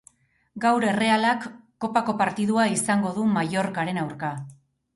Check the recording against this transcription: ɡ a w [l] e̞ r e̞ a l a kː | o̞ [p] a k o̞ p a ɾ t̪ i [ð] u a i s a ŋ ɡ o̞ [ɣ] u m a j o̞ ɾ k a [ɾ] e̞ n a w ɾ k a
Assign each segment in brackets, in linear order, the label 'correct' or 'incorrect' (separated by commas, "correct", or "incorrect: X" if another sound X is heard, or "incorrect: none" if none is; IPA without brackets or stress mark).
incorrect: ɾ, correct, correct, incorrect: ð, correct